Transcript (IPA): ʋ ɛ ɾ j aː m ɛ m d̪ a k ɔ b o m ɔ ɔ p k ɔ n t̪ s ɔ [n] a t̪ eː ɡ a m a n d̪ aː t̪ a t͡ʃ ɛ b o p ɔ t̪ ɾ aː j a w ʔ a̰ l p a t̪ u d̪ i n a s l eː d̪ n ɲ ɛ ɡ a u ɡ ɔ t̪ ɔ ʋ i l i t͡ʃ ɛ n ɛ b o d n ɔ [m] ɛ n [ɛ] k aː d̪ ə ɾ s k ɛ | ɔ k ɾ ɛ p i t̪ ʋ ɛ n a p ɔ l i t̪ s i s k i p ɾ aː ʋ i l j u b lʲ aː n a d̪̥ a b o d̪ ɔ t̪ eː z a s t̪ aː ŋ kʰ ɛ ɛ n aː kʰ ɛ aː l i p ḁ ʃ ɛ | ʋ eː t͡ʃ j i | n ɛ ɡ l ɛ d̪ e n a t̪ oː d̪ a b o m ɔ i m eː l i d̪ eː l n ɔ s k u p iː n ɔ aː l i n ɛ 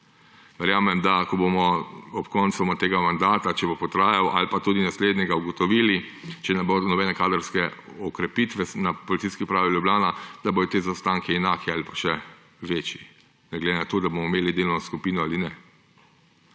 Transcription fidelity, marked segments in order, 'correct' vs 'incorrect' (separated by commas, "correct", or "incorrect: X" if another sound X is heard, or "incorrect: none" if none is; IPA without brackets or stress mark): incorrect: m, incorrect: b, correct